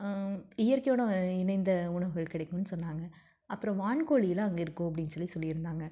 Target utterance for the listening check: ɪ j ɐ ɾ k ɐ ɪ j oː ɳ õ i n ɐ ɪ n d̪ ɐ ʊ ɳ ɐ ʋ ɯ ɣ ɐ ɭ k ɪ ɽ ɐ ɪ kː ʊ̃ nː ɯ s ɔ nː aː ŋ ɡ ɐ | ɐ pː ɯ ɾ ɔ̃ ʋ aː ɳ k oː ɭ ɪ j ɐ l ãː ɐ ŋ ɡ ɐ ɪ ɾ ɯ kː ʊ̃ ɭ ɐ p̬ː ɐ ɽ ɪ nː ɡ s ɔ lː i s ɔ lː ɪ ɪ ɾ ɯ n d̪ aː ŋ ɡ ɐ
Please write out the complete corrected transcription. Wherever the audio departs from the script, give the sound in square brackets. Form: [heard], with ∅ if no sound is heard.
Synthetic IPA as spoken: ɪ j ɐ ɾ k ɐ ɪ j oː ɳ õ [ɪ] n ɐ ɪ n d̪ ɐ ʊ ɳ ɐ ʋ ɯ ɣ ɐ ɭ k ɪ ɽ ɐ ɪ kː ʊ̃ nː ɯ s ɔ nː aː ŋ ɡ ɐ | ɐ pː ɯ ɾ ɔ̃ ʋ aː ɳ k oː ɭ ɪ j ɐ l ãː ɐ ŋ ɡ ɐ ɪ ɾ ɯ kː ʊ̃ [∅] ɐ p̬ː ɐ ɽ ɪ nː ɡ s ɔ lː i s ɔ lː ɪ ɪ ɾ ɯ n d̪ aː ŋ ɡ ɐ